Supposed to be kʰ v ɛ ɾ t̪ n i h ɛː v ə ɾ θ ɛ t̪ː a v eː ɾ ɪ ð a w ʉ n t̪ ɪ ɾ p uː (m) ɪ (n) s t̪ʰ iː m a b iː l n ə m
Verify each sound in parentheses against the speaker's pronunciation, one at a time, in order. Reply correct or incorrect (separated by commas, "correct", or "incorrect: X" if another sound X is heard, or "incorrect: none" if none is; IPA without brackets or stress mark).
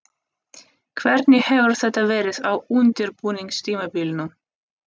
incorrect: n, incorrect: ŋ